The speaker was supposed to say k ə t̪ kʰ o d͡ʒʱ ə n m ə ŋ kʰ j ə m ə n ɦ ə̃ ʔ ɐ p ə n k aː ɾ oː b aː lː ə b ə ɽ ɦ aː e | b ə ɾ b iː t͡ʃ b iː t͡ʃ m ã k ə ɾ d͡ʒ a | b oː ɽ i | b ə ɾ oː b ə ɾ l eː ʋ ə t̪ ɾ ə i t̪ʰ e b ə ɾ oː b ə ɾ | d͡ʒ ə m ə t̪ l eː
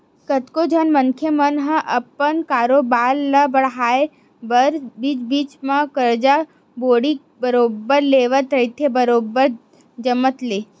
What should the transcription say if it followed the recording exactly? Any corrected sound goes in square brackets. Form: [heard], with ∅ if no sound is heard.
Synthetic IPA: k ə t̪ [k] o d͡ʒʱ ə n m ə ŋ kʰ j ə m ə n ɦ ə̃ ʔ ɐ p ə n k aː ɾ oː b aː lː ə b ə ɽ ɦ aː e | b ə ɾ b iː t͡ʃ b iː t͡ʃ m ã k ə ɾ d͡ʒ a | b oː ɽ i | b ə ɾ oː b ə ɾ l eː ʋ ə t̪ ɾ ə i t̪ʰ e b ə ɾ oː b ə ɾ | d͡ʒ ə m ə t̪ l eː